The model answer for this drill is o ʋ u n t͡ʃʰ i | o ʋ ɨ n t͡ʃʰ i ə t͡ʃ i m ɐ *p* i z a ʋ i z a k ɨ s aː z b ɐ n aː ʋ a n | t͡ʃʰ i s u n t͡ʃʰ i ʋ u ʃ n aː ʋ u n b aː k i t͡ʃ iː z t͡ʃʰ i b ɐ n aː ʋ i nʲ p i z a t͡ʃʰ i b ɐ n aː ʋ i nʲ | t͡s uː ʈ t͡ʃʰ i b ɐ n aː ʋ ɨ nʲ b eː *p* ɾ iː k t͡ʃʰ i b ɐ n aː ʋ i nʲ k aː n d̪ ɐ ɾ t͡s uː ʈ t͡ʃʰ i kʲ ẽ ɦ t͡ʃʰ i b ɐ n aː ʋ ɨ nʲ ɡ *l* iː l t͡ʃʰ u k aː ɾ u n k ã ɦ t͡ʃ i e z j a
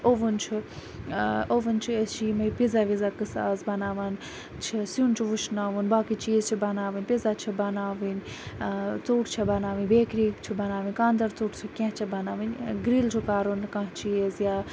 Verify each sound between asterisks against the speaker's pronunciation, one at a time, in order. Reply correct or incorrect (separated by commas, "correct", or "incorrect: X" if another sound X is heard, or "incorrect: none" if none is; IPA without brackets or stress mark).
correct, incorrect: k, incorrect: ɾ